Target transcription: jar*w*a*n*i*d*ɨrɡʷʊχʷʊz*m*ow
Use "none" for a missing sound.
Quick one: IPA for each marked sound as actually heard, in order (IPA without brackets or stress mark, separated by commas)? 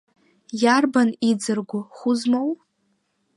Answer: b, n, d͡z, m